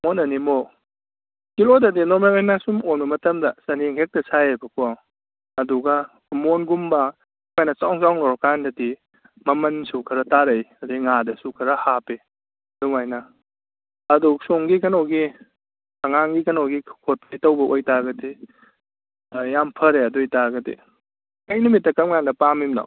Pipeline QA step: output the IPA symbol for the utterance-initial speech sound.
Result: m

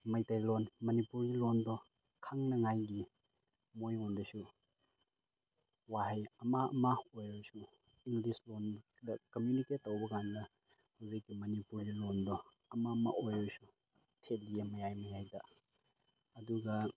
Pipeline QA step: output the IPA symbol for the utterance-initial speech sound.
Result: m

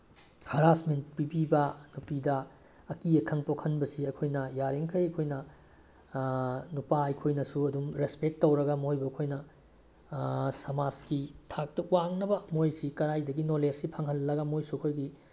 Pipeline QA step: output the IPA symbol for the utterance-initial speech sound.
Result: h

